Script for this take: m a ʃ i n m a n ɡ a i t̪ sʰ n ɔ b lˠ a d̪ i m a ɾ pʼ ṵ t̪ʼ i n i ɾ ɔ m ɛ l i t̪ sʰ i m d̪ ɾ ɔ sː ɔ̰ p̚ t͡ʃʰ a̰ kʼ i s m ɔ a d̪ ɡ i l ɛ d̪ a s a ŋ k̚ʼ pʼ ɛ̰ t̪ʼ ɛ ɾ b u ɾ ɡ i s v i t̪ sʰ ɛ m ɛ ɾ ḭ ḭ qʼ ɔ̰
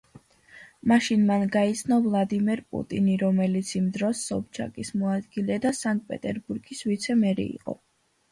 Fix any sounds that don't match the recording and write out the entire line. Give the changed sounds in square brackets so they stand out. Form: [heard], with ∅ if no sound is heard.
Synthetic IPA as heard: m a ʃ i n m a n ɡ a i t̪ sʰ n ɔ [v] lˠ a d̪ i m [ɛ] ɾ pʼ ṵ t̪ʼ i n i ɾ ɔ m ɛ l i t̪ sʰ i m d̪ ɾ ɔ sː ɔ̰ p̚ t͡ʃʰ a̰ kʼ i s m ɔ a d̪ ɡ i l ɛ d̪ a s a ŋ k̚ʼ pʼ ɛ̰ t̪ʼ ɛ ɾ b u ɾ ɡ i s v i t̪ sʰ ɛ m ɛ ɾ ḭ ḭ qʼ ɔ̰